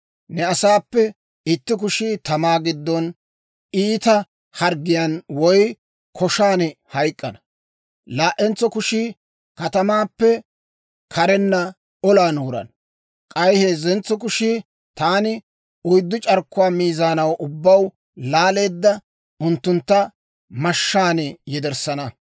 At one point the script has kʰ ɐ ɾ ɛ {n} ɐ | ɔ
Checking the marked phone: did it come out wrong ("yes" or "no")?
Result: yes